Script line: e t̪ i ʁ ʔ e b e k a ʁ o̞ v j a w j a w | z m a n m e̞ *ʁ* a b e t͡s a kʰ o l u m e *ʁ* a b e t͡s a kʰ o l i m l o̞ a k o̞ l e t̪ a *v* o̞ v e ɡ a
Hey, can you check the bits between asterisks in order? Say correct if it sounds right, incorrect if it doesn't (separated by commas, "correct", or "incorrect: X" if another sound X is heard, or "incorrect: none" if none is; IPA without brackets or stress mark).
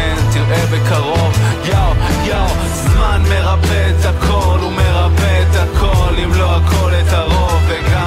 correct, correct, incorrect: ʁ